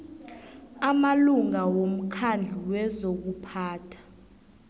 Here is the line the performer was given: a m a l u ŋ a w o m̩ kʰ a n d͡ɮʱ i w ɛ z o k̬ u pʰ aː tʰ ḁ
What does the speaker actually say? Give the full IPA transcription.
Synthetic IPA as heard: a m a l u ŋ a w o m̩ kʰ a n d͡ɮʱ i w ɛ z o k̬ u pʰ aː tʰ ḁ